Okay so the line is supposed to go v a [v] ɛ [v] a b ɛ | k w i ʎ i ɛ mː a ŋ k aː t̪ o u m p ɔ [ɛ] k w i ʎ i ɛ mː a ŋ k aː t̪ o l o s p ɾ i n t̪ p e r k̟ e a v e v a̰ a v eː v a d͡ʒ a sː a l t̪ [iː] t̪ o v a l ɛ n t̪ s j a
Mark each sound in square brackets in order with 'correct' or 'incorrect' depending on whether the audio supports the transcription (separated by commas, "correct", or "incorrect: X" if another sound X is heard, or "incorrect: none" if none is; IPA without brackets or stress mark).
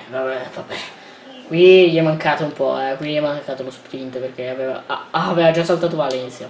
incorrect: b, correct, correct, incorrect: aː